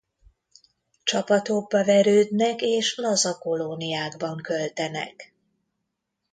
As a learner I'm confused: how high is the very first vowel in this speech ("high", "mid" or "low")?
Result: low